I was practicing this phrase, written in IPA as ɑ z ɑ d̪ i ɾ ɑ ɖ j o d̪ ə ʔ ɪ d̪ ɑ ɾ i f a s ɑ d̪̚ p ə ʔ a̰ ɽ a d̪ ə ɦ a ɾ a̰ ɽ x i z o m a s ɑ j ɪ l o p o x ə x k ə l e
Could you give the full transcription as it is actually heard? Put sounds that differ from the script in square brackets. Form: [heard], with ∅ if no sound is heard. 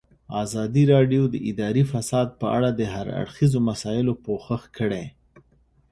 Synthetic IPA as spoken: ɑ z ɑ d̪ i ɾ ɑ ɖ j o d̪ ə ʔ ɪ d̪ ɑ ɾ i f a s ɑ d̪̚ p ə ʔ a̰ ɽ a d̪ ə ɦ a ɾ a̰ ɽ x i z o m a s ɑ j ɪ l o p o x ə x k ə [ɽ] e

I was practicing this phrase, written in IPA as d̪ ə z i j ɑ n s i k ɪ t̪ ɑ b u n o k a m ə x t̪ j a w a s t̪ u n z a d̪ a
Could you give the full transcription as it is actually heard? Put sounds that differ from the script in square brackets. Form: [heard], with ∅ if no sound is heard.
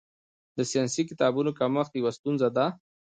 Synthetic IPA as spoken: d̪ ə [s] i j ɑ n s i k ɪ t̪ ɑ b u n o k a m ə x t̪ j a w a s t̪ u n z a d̪ a

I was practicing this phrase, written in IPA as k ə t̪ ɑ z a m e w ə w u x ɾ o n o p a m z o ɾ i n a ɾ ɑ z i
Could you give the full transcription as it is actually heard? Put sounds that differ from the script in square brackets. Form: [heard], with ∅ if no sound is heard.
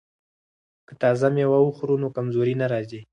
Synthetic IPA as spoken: k ə t̪ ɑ z a m e w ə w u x ɾ [u] n o [k] a m z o ɾ i n a ɾ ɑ z i

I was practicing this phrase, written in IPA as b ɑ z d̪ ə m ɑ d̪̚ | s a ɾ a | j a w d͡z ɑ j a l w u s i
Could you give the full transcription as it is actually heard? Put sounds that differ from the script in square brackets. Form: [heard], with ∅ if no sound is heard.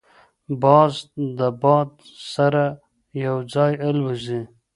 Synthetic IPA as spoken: b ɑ z d̪ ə [b] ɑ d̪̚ | s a ɾ a | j a w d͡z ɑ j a l w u [z] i

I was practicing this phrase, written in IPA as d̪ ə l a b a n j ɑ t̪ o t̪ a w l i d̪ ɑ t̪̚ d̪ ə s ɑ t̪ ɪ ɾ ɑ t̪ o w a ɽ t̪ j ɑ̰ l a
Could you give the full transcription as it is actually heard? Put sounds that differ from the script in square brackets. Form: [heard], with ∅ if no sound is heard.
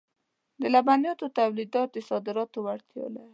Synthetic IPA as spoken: d̪ ə l a b a n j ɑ t̪ o t̪ a w l i d̪ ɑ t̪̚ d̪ ə s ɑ [d̪] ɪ ɾ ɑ t̪ o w a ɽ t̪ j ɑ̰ l a

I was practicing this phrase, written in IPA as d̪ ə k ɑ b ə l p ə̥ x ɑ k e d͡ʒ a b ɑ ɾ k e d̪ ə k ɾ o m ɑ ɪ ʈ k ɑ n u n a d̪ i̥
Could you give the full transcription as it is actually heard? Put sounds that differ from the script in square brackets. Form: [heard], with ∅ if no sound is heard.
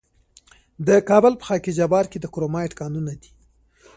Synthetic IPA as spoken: d̪ ə k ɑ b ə l p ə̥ x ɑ k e d͡ʒ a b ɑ ɾ k e d̪ ə k ɾ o m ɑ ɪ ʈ k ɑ n u n a d̪ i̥

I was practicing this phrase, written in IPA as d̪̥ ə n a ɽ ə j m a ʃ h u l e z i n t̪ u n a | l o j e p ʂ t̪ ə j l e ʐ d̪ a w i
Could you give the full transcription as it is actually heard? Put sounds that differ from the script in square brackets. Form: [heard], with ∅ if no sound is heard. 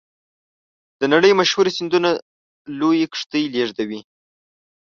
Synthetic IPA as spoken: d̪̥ ə n a ɽ ə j m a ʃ h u [ɾ] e [s] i n [d̪] u n a | l o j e [k] ʂ t̪ ə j l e ʐ d̪ a w i

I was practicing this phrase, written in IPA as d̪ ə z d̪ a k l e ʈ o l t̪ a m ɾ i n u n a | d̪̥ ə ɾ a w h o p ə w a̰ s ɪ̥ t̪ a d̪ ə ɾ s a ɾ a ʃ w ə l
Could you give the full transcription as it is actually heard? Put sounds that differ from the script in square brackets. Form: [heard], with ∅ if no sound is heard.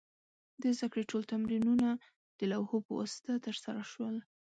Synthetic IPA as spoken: d̪ ə z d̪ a k [ɽ] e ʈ o l t̪ a m ɾ i n u n a | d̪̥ ə [l] a w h o p ə w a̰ s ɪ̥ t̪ a [t̪] ə ɾ s a ɾ a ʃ w ə l

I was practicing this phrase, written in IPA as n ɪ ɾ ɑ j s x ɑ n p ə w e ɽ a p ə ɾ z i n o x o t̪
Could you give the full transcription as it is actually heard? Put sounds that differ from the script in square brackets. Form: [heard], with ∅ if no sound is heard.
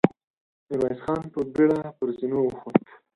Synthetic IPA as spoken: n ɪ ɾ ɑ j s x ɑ n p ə [b] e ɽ a p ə ɾ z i n o x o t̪

